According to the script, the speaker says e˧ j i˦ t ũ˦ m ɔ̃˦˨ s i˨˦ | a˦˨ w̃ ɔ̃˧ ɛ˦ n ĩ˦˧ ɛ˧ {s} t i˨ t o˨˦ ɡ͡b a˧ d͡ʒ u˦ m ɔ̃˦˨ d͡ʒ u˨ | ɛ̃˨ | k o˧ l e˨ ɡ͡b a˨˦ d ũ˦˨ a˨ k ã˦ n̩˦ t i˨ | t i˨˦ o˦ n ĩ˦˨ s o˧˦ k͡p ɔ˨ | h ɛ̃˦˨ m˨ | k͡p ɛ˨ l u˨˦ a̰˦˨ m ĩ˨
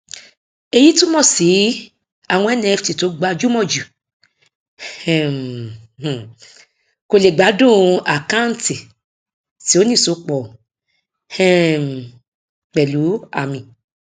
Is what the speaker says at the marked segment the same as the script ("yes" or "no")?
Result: no